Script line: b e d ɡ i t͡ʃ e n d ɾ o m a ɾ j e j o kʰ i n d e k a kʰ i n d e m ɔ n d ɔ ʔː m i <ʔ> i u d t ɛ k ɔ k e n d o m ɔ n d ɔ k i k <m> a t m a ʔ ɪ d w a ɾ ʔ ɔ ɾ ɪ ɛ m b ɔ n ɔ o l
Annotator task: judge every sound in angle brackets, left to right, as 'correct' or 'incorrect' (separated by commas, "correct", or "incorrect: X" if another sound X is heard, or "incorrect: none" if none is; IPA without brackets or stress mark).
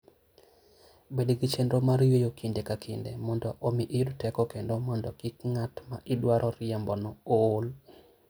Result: correct, incorrect: ŋ